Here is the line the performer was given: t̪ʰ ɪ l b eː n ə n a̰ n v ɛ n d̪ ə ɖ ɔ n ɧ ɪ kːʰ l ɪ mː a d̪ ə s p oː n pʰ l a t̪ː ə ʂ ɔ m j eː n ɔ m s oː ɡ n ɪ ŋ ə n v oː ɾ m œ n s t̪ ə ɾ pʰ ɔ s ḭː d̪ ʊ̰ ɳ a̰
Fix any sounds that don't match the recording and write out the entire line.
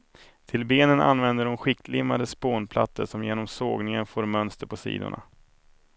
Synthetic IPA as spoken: t̪ʰ ɪ l b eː n ə n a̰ n v ɛ n d̪ ə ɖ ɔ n ɧ ɪ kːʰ l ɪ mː a d̪ ə s p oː n pʰ l a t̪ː ə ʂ ɔ m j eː n ɔ m s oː ɡ n ɪ ŋ ə n f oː ɾ m œ n s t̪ ə ɾ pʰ ɔ s ḭː d̪ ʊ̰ ɳ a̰